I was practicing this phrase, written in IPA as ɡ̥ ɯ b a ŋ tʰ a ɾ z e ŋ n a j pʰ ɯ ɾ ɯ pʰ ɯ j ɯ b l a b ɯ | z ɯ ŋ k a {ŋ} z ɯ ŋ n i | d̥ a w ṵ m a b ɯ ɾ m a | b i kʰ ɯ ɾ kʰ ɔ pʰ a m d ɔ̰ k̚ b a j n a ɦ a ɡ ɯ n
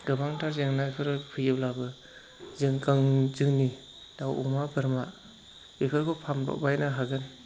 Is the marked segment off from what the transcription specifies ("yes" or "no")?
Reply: no